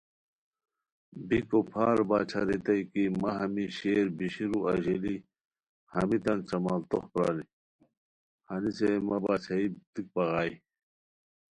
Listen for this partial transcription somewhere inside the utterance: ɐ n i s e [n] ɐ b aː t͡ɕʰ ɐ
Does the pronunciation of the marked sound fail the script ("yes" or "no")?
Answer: yes